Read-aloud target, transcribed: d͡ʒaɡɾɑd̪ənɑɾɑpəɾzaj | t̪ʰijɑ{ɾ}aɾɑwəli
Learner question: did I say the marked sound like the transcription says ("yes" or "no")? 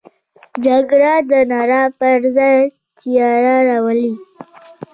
yes